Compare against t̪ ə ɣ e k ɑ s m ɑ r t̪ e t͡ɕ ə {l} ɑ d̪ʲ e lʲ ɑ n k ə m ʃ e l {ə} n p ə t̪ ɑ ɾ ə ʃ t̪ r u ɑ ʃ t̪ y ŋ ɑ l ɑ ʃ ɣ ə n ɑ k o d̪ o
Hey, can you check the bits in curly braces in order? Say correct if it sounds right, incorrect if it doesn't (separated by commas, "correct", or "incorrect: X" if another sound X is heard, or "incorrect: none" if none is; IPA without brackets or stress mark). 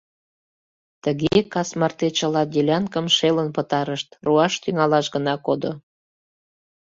correct, correct